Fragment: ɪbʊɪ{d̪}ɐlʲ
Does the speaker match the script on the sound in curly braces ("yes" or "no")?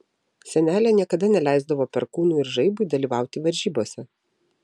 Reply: yes